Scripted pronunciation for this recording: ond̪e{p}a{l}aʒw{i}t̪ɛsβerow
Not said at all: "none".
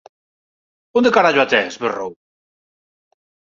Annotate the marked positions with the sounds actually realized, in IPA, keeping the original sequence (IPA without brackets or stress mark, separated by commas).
k, ɾ, a